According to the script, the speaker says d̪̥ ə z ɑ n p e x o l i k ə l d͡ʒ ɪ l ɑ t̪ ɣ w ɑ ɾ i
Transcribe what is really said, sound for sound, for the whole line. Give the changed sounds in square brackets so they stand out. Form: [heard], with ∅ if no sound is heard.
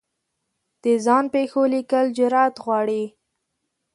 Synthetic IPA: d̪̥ ə z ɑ n p e x o l i k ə l d͡ʒ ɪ [ɾ] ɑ t̪ ɣ w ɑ [ɽ] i